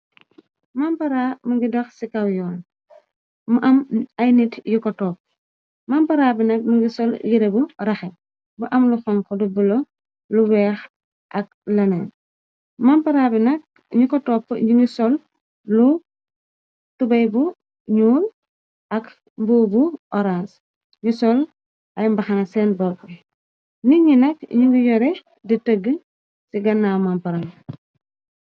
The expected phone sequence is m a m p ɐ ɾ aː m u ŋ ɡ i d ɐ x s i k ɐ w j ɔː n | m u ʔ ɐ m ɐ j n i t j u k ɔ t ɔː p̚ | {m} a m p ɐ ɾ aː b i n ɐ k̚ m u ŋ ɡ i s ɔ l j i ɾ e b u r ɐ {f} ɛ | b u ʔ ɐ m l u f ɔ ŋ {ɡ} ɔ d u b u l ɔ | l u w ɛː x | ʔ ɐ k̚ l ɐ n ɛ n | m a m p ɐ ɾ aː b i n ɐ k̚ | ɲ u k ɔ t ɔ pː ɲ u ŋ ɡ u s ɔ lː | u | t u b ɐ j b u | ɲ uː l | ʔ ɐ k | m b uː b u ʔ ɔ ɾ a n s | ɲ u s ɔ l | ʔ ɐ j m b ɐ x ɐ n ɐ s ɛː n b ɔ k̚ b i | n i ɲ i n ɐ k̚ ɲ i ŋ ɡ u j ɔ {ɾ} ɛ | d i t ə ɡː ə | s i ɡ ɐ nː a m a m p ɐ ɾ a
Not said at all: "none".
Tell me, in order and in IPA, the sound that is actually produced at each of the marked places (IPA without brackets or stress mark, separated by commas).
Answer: m, x, k, ɾ